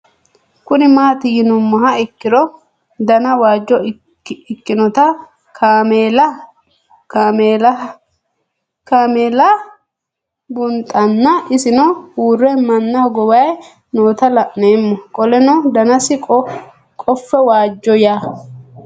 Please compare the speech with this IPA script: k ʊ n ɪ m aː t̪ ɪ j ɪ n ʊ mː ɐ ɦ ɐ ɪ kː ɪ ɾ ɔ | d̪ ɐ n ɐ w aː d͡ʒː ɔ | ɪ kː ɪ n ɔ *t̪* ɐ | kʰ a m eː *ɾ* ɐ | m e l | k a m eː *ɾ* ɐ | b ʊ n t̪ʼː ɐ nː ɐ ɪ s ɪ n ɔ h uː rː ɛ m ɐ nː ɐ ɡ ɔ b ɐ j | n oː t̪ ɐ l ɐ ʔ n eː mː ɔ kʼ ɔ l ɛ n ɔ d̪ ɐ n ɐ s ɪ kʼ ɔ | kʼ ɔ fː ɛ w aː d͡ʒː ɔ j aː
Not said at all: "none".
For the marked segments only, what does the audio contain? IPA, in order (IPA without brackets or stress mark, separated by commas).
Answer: t̪, l, l